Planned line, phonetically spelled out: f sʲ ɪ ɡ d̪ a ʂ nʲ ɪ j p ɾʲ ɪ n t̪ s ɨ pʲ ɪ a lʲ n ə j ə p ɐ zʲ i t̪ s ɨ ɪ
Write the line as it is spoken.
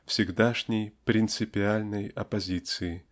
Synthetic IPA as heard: f sʲ ɪ ɡ d̪ a ʂ nʲ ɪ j p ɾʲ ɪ n t̪ s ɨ pʲ ɪ a lʲ n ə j ɐ p ɐ zʲ i t̪ s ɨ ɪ